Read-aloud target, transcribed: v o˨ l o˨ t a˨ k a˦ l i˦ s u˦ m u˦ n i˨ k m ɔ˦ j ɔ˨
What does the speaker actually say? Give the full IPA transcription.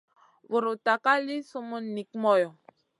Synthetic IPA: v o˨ ɾ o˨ t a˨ k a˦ l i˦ s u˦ m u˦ n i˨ k m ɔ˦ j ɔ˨